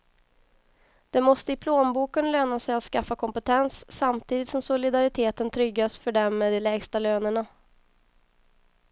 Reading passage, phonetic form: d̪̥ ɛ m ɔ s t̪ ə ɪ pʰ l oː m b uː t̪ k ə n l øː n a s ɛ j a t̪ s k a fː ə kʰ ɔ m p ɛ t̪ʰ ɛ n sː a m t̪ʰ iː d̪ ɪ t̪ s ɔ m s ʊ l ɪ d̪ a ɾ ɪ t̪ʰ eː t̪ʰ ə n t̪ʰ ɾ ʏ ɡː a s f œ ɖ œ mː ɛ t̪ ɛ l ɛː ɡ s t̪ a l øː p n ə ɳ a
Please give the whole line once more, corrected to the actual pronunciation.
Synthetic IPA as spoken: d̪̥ ɛ m ɔ s t̪ ə ɪ pʰ l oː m b uː k ə n l øː n a s ɛ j a t̪ s k a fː a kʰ ɔ m p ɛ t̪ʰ ɛ n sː a m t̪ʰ iː d̪ ɪ t̪ s ɔ m s ʊ l ɪ d̪ a ɾ ɪ t̪ʰ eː t̪ ə n t̪ʰ ɾ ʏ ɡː a s f œ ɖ ɛ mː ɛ d̪ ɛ l ɛː ɡ s t̪ a l øː n ə ɳ a